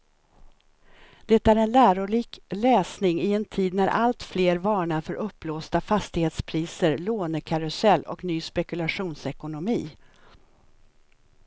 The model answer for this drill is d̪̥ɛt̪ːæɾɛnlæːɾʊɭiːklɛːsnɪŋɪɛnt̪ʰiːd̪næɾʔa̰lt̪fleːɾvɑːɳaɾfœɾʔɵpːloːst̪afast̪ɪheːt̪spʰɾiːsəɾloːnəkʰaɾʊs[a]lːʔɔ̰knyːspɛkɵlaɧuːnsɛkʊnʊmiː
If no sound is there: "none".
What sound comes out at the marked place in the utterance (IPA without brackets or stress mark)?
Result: ɛ